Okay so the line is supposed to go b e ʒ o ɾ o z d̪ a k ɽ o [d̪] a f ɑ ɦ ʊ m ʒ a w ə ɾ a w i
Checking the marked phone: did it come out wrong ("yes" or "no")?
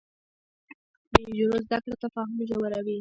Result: yes